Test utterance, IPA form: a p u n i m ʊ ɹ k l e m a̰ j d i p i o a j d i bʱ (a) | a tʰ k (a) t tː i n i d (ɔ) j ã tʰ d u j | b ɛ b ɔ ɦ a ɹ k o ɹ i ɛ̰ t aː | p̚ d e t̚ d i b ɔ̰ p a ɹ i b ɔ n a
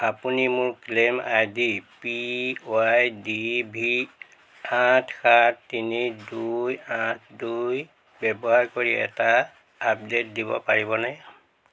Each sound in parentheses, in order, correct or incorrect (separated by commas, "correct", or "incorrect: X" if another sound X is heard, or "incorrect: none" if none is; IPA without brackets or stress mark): incorrect: i, correct, incorrect: u